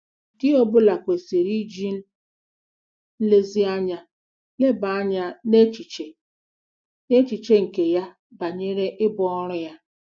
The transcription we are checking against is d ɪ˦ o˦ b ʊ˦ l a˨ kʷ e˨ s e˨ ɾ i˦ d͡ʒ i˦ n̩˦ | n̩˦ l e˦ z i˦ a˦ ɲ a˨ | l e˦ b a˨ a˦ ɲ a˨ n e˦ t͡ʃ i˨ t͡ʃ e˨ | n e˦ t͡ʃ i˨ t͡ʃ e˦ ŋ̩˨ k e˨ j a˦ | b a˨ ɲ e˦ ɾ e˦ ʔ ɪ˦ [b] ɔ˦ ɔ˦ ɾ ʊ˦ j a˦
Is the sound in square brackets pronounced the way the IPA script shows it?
yes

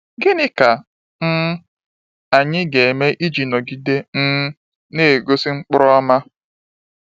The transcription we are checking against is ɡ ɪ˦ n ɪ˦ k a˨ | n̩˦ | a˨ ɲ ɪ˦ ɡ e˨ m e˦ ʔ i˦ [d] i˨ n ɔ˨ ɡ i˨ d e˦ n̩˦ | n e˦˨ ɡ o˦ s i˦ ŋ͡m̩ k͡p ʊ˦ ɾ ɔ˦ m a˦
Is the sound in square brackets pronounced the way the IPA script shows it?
no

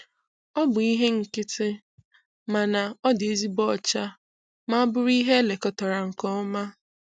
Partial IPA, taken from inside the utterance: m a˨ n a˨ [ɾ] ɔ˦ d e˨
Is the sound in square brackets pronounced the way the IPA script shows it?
no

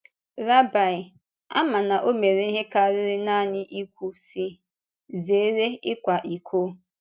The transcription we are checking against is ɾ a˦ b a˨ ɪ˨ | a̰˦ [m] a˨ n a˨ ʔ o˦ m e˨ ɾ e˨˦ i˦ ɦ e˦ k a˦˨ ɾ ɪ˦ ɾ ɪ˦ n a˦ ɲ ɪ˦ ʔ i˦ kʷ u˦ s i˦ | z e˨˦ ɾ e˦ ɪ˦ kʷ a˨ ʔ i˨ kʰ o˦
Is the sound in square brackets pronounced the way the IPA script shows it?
yes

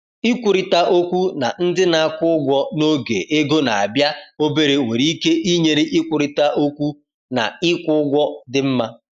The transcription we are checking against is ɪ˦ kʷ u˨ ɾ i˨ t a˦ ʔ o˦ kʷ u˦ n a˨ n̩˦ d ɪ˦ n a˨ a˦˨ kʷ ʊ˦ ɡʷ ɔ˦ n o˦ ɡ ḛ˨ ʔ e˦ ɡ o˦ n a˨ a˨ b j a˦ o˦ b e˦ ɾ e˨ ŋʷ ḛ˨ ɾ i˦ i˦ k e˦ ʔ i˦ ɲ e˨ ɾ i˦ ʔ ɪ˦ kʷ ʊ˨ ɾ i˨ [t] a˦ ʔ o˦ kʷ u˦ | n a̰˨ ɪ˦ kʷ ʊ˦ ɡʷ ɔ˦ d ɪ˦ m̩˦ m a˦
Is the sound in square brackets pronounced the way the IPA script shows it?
yes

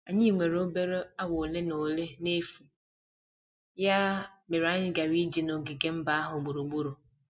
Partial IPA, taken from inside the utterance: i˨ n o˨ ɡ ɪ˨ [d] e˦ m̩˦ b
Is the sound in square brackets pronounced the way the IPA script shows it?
no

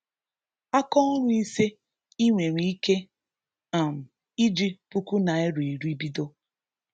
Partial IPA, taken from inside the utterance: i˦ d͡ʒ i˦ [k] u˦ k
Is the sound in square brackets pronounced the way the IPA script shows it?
no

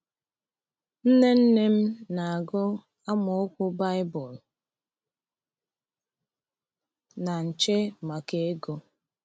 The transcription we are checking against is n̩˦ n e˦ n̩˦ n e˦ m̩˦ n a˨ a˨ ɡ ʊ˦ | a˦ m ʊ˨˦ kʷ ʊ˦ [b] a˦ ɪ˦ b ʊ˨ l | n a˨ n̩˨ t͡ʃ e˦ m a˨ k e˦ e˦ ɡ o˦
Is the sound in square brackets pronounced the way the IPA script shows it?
yes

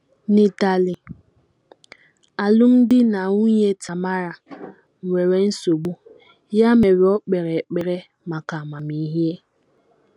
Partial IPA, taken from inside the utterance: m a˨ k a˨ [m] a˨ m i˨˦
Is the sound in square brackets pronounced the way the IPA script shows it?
yes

